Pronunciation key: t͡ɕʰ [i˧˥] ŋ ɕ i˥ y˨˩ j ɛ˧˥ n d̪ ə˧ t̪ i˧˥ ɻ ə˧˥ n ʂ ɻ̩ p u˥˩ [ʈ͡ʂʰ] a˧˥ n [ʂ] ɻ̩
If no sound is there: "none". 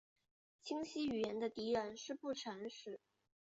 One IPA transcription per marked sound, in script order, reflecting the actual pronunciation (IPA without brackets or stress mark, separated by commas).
i˥, ʈ͡ʂʰ, ʂ